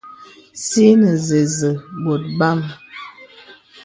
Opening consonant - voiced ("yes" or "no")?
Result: no